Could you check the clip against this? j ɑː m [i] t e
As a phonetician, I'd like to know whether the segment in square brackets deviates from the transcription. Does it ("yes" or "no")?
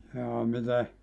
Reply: no